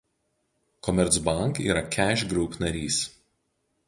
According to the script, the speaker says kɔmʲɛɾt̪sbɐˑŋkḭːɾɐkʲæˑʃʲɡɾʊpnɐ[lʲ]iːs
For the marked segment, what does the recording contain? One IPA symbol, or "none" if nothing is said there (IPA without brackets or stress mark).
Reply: ɾʲ